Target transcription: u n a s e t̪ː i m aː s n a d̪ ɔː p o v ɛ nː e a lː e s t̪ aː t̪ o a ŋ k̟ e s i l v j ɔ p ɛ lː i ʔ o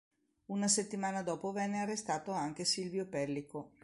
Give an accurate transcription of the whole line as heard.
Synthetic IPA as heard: u n a s e t̪ː i m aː n a d̪ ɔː p o v ɛ nː e a rː e s t̪ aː t̪ o a ŋ k̟ e s i l v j o p ɛ lː i k o